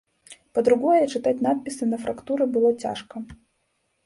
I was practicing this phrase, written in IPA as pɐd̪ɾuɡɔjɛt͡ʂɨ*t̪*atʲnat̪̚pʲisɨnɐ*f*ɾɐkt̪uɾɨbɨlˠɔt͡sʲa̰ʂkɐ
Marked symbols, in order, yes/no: yes, yes

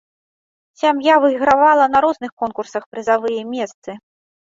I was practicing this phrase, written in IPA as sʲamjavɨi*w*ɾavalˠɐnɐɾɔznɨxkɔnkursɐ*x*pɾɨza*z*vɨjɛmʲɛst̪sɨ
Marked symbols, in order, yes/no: no, yes, no

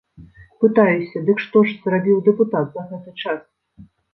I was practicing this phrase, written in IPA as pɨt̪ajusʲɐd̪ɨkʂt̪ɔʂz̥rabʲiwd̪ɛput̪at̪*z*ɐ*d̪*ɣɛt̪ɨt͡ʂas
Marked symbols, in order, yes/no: yes, no

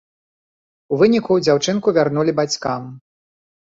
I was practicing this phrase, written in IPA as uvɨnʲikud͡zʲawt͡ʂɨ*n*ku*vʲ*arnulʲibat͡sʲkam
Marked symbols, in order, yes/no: yes, yes

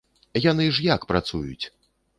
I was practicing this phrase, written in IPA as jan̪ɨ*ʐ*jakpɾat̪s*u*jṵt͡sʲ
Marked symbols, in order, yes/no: yes, yes

